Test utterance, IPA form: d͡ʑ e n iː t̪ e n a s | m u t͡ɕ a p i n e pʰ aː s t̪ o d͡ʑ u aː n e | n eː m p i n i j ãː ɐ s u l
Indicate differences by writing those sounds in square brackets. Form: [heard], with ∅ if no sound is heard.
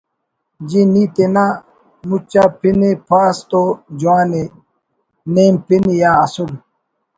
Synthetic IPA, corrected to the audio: d͡ʑ [i] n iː t̪ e n a [∅] | m u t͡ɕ a p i n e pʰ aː s t̪ o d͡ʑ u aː n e | n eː m p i n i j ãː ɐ s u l